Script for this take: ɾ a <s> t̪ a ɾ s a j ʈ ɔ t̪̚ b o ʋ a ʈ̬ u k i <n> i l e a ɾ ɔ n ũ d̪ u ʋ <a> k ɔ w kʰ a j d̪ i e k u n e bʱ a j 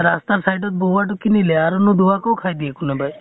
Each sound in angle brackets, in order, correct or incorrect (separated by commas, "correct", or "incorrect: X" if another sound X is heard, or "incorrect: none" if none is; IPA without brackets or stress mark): correct, correct, correct